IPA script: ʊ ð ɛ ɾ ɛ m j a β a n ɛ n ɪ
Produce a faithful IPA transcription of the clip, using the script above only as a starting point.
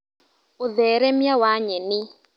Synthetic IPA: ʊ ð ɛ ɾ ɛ m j a w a ɲ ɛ n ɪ